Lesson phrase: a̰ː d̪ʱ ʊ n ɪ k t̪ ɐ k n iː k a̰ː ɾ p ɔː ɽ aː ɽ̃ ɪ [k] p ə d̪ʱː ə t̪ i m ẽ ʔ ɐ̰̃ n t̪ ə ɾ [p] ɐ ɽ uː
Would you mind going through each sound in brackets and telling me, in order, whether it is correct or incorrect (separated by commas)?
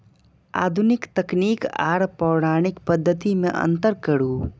correct, incorrect